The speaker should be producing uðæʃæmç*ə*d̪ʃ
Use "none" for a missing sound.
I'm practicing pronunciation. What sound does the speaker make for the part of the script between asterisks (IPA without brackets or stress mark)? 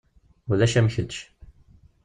ə